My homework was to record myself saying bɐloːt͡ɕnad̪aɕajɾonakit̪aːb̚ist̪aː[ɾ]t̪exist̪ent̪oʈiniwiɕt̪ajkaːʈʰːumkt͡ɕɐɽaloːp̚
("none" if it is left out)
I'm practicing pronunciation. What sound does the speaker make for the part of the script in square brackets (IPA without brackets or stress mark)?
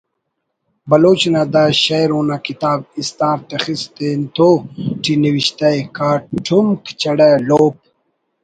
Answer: ɾ